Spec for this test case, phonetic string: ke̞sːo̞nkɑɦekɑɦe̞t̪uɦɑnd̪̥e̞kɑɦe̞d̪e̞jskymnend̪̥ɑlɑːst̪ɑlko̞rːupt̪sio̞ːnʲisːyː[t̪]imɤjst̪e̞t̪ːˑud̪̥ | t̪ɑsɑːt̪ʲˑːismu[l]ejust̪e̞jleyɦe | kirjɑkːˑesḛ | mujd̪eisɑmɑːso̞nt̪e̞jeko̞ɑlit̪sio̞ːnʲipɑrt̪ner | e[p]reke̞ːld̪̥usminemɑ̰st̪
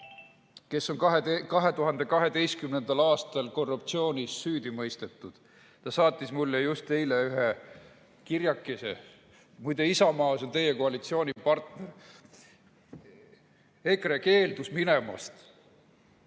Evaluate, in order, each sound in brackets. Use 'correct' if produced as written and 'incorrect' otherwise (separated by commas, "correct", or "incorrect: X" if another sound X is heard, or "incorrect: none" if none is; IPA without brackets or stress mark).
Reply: incorrect: d̪, incorrect: lː, incorrect: k